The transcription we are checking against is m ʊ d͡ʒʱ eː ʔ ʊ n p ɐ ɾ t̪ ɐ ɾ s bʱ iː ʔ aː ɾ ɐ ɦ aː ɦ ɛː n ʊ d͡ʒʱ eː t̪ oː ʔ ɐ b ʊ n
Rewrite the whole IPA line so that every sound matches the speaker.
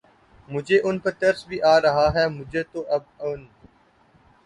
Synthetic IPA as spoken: m ʊ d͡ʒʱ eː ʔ ʊ n p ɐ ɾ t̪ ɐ ɾ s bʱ iː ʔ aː ɾ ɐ ɦ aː ɦ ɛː m ʊ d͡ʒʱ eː t̪ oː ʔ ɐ b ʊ n